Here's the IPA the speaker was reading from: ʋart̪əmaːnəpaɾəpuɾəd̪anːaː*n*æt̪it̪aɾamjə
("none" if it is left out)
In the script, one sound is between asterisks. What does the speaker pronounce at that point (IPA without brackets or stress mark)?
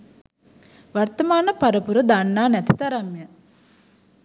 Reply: n